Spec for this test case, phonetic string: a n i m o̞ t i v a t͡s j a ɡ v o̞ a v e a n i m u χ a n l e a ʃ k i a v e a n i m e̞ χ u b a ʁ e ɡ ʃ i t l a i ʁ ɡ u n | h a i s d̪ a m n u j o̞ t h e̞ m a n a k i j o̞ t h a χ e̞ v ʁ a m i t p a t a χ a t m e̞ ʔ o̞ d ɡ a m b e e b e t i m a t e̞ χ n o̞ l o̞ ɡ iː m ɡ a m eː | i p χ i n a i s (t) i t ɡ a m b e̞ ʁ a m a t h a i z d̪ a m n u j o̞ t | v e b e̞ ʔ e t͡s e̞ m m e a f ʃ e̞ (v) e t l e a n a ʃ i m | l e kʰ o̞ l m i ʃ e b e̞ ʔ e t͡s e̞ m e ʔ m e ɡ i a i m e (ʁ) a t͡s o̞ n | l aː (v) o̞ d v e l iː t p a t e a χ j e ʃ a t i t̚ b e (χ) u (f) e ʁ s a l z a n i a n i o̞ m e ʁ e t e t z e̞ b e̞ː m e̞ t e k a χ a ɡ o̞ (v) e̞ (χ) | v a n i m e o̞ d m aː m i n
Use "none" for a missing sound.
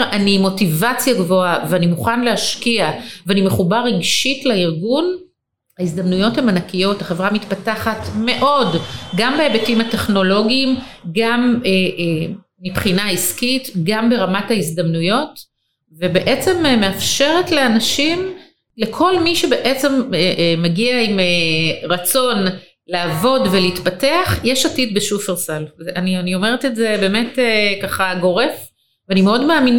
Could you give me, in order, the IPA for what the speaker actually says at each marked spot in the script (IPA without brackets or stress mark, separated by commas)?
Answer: k, ʁ, ʁ, v, ʃ, f, ʁ, f